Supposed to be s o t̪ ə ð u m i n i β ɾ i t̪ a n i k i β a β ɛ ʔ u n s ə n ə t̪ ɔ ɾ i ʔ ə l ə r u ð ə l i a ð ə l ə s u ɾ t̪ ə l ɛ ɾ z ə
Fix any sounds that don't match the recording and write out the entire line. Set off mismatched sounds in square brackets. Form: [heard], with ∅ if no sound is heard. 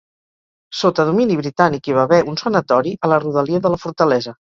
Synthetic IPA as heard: s o t̪ ə ð u m i n i β ɾ i t̪ a n i k i β a β ɛ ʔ u n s ə n ə t̪ ɔ ɾ i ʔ ə l ə r u ð ə l i [ə] ð ə l ə [f] u ɾ t̪ ə l ɛ [∅] z ə